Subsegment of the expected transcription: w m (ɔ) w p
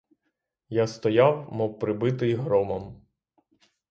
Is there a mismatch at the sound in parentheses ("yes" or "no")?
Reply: no